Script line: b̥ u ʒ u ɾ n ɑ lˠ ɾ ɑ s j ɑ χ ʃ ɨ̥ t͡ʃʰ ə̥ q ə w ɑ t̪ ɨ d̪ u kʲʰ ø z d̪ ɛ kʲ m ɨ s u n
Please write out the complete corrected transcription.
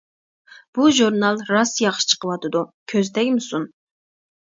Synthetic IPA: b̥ u ʒ u ɾ n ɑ lˠ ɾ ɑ s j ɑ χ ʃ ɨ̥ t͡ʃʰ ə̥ q ə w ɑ t̪ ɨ d̪ u kʲʰ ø z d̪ ɛ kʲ m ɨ s u n